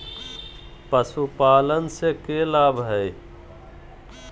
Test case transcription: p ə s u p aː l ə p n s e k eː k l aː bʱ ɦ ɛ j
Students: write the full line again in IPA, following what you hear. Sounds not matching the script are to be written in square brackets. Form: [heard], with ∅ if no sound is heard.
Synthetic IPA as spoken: p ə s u p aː l ə [∅] n s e k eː [∅] l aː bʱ ɦ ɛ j